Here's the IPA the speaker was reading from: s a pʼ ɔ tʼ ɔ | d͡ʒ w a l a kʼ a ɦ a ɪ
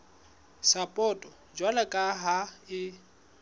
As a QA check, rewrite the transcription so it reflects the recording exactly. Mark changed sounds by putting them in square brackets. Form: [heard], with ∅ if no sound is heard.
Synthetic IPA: s a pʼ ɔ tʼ ɔ | d͡ʒ w a l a kʼ a ɦ a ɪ